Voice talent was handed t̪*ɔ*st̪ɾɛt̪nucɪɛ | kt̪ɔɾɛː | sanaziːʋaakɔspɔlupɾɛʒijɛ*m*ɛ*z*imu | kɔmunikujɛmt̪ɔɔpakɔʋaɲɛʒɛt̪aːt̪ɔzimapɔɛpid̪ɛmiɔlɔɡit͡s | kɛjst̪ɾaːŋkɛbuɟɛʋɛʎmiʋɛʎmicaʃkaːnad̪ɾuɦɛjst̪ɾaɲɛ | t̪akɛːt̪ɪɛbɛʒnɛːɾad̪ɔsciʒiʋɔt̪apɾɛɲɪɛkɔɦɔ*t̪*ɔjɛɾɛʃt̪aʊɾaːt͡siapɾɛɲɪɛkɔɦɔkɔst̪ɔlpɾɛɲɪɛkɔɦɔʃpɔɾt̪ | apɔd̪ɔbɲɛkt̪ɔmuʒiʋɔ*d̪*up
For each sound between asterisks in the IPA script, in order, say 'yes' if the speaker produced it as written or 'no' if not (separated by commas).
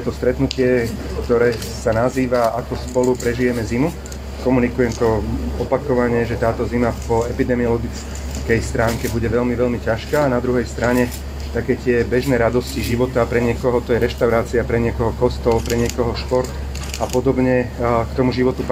yes, yes, yes, yes, no